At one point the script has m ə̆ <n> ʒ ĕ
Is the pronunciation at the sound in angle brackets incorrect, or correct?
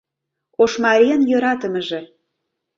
incorrect